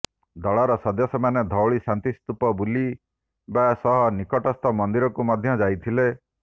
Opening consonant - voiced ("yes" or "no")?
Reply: yes